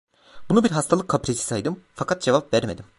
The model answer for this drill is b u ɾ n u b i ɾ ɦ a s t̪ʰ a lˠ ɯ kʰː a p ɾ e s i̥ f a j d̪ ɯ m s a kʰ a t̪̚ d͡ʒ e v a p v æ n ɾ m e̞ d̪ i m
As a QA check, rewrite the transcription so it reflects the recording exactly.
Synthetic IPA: b u n u b i ɾ ɦ a s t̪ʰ a lˠ ɯ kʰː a p ɾ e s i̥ s a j d̪ ɯ m f a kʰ a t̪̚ d͡ʒ e v a p v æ ɾ m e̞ d̪ i m